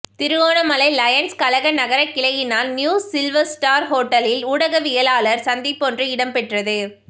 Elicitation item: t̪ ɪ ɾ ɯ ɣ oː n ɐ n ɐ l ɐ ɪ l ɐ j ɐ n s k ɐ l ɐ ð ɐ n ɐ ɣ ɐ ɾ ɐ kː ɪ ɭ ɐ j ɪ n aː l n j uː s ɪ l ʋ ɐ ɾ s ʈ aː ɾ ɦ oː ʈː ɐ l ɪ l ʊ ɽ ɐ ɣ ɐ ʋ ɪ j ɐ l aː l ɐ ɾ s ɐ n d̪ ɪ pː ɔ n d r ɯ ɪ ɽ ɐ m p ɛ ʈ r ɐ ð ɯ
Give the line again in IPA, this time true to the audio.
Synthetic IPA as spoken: t̪ ɪ ɾ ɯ ɣ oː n ɐ m ɐ l ɐ ɪ l ɐ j ɐ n s k ɐ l ɐ ɣ ɐ n ɐ ɣ ɐ ɾ ɐ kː ɪ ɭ ɐ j ɪ n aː l n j uː s ɪ l ʋ ɐ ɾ s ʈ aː ɾ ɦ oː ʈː ɐ l ɪ l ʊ ɽ ɐ ɣ ɐ ʋ ɪ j ɐ l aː l ɐ ɾ s ɐ n d̪ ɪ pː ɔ n d r ɯ ɪ ɽ ɐ m p ɛ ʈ r ɐ ð ɯ